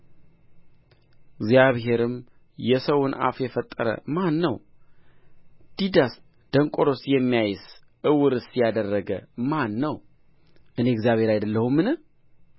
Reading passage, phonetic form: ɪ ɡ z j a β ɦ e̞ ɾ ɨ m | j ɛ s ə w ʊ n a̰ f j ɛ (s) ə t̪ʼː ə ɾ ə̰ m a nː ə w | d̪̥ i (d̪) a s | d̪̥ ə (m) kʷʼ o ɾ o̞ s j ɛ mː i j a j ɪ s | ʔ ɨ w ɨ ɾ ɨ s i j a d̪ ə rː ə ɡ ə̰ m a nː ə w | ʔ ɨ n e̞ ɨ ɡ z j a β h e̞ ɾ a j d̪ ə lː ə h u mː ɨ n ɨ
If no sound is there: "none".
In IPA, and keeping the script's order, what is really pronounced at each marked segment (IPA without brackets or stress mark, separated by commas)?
f, d̪, ŋ